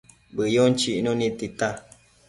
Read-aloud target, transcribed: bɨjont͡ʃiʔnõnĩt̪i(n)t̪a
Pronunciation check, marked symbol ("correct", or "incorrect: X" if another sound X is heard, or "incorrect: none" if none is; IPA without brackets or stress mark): incorrect: none